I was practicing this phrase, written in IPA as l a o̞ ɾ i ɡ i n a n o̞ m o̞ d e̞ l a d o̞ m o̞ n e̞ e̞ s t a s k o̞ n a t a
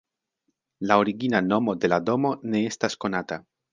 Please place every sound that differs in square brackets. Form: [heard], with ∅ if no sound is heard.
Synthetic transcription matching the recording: l a o̞ ɾ i ɡ i n a n o̞ m o̞ d e̞ l a d o̞ m o̞ n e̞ e̞ s t a s k o̞ n a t a